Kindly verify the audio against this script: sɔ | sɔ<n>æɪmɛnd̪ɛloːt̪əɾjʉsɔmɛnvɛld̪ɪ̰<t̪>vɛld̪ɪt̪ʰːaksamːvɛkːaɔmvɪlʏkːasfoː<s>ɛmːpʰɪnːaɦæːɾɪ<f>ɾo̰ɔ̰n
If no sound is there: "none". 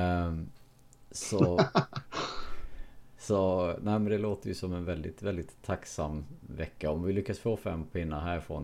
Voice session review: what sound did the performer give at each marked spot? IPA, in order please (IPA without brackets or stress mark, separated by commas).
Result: n, t̪, f, f